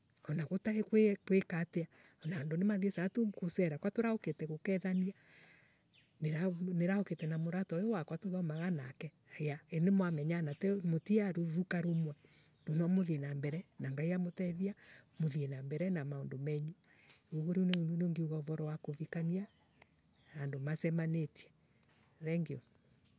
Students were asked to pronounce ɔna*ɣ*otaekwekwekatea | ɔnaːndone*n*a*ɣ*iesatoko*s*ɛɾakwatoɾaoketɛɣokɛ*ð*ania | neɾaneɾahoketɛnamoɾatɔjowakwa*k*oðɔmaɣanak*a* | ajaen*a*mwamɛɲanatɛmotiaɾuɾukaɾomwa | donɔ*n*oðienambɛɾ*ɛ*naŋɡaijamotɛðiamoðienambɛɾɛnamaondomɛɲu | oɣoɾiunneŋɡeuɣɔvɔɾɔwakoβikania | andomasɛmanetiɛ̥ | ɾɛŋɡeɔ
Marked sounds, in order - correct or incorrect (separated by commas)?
correct, incorrect, incorrect, correct, correct, incorrect, incorrect, incorrect, incorrect, correct